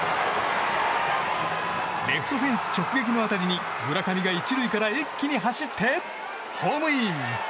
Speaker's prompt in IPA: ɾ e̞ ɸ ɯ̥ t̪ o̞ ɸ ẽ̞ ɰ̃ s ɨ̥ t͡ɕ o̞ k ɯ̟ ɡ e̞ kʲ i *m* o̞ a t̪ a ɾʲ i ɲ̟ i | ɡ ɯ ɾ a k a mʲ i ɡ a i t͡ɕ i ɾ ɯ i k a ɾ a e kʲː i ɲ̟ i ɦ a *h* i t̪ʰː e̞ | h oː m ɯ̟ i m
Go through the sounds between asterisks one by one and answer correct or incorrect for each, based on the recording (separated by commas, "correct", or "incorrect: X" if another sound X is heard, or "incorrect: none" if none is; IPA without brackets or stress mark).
incorrect: n, incorrect: ɕ